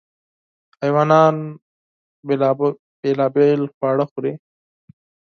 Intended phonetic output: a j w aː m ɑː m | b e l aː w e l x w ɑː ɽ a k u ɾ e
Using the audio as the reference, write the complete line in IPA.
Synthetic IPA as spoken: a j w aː n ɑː n | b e l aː b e l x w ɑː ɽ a x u ɾ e